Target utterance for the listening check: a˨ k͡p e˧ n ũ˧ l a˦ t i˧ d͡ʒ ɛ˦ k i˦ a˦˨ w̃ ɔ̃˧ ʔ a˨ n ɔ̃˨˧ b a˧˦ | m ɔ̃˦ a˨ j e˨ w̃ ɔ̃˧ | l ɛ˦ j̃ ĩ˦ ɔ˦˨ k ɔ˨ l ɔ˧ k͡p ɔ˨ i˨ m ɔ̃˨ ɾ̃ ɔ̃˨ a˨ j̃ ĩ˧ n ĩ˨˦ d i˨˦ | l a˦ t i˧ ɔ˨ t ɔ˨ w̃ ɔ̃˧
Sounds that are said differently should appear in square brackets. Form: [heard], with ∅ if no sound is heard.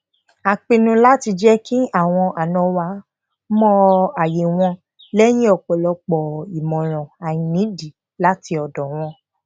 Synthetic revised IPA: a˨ k͡p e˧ n ũ˧ l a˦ t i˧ d͡ʒ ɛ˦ k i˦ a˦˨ w̃ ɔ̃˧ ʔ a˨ n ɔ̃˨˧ [w] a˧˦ | m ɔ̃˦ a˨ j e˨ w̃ ɔ̃˧ | l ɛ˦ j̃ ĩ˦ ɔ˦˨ [k͡p] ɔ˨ l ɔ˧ k͡p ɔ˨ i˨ m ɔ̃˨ ɾ̃ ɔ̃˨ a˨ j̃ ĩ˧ n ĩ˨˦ d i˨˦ | l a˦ t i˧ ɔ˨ [d] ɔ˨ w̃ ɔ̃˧

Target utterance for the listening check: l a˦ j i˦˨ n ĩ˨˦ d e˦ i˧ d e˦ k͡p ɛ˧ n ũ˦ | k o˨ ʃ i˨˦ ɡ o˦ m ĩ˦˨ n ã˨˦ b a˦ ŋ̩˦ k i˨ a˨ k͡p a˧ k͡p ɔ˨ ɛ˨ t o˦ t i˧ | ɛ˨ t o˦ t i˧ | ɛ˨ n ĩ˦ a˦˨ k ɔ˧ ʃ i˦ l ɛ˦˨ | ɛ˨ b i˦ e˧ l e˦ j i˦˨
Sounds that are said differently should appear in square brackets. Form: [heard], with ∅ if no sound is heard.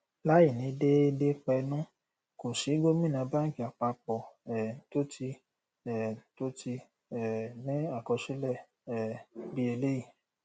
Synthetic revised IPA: l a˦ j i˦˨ n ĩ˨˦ d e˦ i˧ d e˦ k͡p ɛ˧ n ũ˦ | k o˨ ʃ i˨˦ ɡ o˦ m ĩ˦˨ n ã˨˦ b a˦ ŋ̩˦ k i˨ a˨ k͡p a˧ k͡p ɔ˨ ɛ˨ t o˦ t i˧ | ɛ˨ t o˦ t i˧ | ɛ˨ n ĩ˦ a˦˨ k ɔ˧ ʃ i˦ l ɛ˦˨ | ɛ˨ b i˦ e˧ l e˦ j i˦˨

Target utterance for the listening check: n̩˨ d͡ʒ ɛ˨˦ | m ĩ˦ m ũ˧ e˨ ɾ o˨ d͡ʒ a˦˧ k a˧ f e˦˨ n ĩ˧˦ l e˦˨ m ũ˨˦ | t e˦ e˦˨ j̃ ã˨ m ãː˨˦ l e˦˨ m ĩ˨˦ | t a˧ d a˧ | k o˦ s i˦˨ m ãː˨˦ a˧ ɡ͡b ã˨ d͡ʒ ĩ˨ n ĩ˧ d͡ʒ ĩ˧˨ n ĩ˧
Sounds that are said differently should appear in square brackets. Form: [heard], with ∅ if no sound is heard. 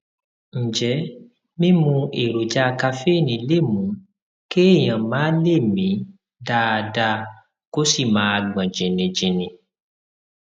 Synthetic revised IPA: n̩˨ d͡ʒ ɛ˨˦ | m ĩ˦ m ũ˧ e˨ ɾ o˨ d͡ʒ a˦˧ k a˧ f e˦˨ n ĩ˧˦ l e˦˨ m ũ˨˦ | [k] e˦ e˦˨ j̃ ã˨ m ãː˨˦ l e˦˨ m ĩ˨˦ | [d] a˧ d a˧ | k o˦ s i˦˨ m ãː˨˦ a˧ ɡ͡b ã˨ d͡ʒ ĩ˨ n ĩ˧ d͡ʒ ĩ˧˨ n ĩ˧

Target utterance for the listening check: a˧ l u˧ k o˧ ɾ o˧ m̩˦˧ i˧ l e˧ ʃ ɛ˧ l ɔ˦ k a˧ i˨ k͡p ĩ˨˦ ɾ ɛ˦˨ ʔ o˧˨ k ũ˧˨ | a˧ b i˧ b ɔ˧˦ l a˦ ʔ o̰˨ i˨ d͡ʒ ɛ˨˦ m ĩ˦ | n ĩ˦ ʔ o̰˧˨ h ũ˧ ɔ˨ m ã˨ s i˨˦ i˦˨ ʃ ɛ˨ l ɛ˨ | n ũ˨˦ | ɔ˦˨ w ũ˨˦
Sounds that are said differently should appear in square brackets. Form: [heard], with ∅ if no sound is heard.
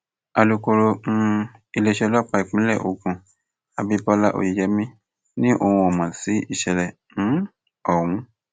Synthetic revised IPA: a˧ l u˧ k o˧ ɾ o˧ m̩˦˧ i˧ l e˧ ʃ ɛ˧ l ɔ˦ [k͡p] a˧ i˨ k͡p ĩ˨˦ [l] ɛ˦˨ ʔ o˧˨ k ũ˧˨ | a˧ b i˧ b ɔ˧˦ l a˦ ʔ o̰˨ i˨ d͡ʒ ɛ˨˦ m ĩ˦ | n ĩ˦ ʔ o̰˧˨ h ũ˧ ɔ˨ m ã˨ s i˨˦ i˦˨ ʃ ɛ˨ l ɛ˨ | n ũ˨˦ | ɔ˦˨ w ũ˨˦

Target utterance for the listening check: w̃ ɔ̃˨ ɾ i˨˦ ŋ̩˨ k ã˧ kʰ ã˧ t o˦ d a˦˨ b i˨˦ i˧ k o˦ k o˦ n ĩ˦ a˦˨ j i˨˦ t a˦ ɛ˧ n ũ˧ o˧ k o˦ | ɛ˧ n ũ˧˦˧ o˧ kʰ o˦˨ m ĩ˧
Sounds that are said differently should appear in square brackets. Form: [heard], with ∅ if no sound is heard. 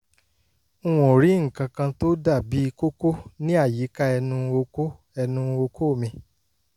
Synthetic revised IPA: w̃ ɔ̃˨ ɾ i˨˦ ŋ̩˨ k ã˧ [k] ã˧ t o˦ d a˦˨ b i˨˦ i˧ k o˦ k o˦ n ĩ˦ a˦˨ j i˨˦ [k] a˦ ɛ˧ n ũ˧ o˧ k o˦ | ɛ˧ n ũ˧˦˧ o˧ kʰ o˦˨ m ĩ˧

